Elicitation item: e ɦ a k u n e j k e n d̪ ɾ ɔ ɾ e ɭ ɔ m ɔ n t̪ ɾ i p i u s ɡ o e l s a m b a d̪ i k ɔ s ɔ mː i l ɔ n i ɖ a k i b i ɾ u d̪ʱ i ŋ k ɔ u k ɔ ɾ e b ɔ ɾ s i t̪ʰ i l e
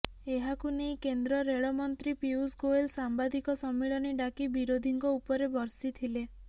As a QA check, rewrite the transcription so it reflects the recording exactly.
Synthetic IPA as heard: e ɦ a k u n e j k e n d̪ ɾ ɔ ɾ e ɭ ɔ m ɔ n t̪ ɾ i p i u s ɡ o e l s a m b a d̪ i k ɔ s ɔ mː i ɭ ɔ n i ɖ a k i b i ɾ o d̪ʱ i ŋ k ɔ u p ɔ ɾ e b ɔ ɾ s i t̪ʰ i l e